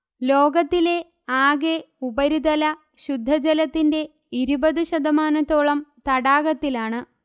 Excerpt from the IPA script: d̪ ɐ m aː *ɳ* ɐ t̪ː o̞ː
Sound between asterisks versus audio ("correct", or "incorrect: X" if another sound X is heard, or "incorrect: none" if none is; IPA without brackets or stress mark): incorrect: n